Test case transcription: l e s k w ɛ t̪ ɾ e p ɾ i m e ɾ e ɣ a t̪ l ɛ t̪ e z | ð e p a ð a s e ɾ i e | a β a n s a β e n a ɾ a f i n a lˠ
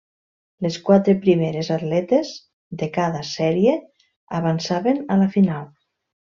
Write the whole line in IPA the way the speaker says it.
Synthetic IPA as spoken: l e s k w a t̪ ɾ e p ɾ i m e ɾ e z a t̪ l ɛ t̪ e z | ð e k a ð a s ɛ ɾ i e | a β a n s a β e n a l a f i n a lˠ